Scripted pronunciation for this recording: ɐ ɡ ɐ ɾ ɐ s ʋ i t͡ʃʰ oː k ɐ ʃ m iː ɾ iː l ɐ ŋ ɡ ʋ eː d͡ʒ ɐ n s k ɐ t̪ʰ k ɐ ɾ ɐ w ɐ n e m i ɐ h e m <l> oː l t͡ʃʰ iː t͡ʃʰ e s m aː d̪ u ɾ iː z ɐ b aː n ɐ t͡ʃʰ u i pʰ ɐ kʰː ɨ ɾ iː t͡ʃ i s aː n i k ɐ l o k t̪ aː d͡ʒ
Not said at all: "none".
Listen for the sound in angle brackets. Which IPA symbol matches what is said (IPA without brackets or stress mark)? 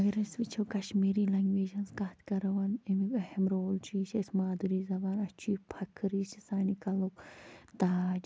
ɾ